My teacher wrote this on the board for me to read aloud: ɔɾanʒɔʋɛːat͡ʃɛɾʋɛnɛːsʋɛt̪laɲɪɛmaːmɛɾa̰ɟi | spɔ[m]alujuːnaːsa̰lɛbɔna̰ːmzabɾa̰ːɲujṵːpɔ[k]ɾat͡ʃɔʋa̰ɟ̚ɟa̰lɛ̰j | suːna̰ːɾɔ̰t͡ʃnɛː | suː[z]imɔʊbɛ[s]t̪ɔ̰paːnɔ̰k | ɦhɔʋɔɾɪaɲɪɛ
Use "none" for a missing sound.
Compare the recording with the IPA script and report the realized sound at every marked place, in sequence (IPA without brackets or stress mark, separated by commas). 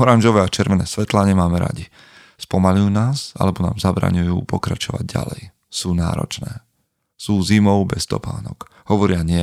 m, k, z, s